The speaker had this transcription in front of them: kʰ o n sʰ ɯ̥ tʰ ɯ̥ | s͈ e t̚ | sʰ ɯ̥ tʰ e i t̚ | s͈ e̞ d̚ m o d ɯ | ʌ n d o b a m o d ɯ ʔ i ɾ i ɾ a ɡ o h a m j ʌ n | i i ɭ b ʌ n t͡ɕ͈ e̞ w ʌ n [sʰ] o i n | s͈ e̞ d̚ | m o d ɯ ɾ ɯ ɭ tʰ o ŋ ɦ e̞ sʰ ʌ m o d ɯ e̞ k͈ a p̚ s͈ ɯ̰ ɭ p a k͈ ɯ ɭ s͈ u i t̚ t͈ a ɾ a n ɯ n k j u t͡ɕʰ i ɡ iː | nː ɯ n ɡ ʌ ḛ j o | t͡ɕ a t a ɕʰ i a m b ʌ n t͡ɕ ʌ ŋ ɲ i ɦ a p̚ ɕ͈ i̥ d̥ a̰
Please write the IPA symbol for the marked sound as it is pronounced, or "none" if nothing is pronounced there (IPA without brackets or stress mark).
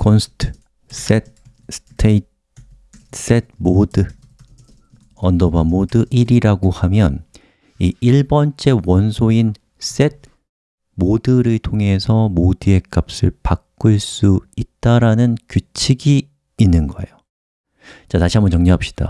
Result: sʰ